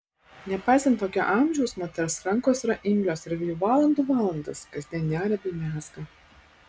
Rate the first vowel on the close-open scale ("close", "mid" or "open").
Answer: mid